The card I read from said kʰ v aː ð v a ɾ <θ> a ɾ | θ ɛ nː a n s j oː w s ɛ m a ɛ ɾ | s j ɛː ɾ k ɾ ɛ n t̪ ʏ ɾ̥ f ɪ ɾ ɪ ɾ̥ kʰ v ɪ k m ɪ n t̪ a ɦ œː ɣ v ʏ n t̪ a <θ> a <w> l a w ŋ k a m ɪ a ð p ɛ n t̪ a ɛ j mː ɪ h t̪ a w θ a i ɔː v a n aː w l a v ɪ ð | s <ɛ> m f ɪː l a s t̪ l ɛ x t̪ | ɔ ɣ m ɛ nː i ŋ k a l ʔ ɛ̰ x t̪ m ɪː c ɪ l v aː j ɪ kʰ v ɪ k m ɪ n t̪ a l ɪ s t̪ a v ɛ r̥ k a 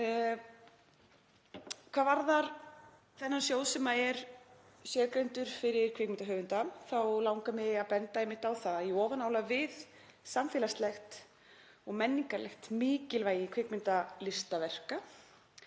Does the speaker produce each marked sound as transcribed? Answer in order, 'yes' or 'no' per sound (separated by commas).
no, yes, yes, no